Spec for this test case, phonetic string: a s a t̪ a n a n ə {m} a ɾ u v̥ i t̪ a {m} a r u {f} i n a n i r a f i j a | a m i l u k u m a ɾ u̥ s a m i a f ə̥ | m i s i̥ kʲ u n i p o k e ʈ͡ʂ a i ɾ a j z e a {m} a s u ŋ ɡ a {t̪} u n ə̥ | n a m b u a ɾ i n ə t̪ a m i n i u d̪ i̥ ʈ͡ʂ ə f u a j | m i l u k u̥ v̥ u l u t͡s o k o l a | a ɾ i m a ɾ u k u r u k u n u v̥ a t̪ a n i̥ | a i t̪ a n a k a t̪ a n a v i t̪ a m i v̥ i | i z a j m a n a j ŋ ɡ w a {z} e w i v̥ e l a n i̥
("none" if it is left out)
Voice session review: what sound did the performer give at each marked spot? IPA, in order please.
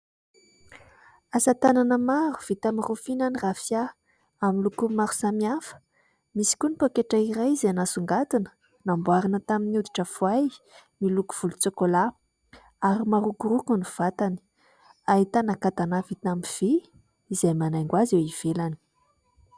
m, m, f, n, t̪, z

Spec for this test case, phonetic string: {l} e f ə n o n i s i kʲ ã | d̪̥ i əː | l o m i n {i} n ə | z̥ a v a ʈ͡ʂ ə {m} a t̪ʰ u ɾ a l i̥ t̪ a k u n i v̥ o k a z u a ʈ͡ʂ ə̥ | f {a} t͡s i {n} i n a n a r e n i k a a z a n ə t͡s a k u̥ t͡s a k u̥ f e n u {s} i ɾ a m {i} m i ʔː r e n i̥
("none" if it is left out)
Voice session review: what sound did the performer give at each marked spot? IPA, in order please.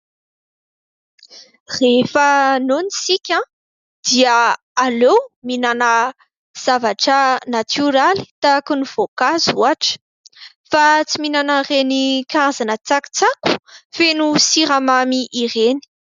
r, a, n, a, m, s, a

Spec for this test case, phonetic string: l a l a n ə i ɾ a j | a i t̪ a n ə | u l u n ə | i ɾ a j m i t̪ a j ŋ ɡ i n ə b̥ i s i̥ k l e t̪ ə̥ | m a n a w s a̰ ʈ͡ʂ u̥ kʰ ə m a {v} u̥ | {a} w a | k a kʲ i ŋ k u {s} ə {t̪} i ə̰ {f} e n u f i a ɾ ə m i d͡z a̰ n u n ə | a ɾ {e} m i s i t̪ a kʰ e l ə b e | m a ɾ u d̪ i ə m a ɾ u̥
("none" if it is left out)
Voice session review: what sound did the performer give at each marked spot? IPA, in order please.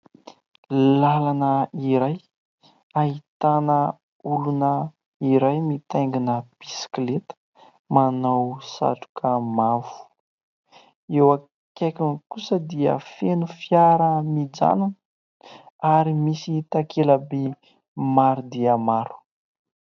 v, e, s, d̪, f, i

